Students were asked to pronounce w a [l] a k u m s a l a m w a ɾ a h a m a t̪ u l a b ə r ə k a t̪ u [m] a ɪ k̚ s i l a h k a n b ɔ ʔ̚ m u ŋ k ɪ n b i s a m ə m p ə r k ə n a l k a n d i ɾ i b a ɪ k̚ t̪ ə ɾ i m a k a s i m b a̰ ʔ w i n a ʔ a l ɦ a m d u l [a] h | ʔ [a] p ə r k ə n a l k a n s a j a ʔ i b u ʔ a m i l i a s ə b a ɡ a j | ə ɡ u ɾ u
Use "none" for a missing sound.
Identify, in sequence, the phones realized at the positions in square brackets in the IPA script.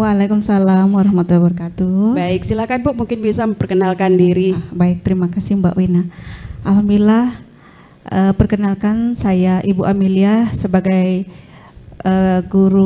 l, b, a, ə

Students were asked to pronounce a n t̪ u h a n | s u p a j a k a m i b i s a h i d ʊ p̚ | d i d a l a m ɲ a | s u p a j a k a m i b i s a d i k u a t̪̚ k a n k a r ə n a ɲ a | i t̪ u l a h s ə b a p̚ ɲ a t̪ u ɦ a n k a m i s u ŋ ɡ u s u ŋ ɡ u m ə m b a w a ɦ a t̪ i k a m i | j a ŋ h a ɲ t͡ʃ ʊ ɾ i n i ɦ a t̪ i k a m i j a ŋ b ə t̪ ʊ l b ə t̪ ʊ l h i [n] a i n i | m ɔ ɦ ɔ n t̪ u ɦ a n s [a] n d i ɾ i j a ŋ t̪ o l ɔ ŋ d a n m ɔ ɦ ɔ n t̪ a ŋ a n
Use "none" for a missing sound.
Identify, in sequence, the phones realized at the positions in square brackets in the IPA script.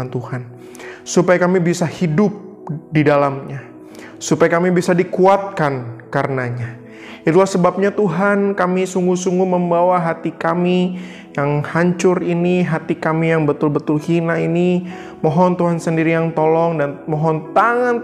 n, ə

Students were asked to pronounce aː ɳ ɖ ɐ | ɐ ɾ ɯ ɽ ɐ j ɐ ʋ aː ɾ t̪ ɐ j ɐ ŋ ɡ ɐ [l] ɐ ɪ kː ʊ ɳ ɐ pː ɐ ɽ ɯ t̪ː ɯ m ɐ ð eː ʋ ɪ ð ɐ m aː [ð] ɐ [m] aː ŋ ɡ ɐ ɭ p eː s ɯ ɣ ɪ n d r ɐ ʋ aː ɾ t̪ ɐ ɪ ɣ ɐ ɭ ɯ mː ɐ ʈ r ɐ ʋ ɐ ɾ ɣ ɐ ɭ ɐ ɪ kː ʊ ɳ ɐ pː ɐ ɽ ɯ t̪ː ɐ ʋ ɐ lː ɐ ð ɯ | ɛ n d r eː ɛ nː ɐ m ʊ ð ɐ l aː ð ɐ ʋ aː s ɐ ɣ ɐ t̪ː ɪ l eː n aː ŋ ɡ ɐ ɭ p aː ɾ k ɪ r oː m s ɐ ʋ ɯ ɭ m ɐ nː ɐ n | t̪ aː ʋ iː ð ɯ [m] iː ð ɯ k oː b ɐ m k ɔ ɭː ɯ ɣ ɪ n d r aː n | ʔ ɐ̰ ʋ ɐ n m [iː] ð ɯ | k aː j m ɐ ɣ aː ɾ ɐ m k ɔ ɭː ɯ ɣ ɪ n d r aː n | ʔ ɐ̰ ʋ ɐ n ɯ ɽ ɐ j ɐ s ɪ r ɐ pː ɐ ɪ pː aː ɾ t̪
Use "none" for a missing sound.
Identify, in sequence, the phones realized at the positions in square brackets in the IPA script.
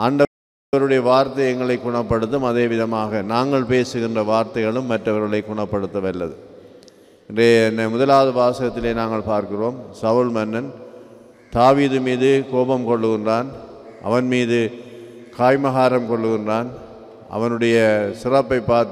ɭ, ɣ, n, m, iː

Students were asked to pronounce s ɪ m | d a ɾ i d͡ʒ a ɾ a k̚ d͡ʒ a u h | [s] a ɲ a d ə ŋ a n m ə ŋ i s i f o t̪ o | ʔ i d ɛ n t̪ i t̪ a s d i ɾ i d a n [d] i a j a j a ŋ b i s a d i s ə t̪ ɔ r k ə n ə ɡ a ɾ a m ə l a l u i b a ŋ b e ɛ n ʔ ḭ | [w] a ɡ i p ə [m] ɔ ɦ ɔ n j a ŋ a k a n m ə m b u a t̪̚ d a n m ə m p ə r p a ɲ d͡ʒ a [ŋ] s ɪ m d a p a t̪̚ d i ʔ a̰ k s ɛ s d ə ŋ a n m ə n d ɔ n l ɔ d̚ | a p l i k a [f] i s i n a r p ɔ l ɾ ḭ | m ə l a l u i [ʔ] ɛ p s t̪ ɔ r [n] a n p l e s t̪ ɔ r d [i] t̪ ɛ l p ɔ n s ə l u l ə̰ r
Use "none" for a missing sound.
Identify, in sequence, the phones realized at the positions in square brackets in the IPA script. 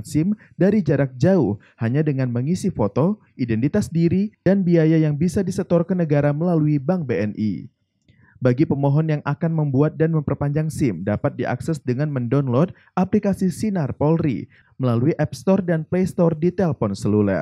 h, b, b, m, ŋ, s, ʔ, d, i

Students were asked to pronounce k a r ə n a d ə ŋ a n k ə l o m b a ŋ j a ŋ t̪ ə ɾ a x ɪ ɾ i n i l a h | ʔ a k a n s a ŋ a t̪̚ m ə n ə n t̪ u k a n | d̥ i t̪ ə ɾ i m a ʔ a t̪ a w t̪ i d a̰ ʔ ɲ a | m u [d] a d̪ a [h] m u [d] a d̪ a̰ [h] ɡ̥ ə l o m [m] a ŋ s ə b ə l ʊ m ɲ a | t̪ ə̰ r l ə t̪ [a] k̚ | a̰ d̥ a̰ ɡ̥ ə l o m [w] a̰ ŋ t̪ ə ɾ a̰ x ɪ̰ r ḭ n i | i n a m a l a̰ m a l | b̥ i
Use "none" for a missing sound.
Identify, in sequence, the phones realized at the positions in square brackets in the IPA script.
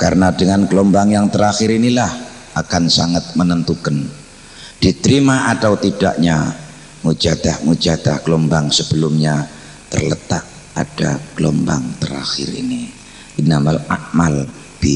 d͡ʒ, h, d͡ʒ, h, b, a, b

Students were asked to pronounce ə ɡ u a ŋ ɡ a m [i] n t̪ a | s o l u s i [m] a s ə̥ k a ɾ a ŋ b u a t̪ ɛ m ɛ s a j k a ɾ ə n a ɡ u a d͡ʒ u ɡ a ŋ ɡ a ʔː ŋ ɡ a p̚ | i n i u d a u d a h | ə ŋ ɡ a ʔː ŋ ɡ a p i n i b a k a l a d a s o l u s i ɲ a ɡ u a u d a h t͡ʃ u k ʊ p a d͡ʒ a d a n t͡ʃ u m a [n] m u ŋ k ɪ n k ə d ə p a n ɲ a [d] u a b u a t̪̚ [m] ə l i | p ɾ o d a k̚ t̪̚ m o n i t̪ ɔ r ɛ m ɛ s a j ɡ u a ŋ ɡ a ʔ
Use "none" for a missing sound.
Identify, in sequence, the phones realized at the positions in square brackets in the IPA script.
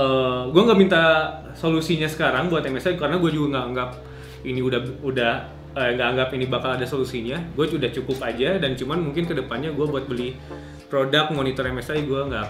i, ɲ, n, ɡ, b

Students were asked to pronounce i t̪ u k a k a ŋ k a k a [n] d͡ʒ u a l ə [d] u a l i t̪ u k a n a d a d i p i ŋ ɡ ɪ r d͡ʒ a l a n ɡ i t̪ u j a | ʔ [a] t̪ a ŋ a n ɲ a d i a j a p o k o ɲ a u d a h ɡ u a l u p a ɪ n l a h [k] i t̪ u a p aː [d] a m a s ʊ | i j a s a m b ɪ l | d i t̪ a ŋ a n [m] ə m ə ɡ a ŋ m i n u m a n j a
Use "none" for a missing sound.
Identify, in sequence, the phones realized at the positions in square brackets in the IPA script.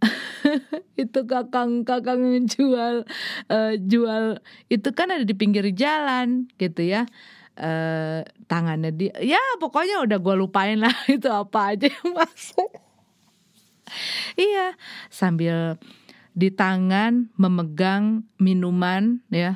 ŋ, d͡ʒ, ə, ɡ, d͡ʒ, m

